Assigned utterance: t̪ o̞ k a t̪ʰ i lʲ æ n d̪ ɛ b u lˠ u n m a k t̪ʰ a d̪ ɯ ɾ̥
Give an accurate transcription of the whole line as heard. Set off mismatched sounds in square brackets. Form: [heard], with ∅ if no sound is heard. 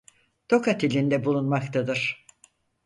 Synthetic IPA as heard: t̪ o̞ k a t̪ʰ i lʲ [i] n d̪ ɛ b u lˠ u n m a k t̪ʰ a d̪ ɯ ɾ̥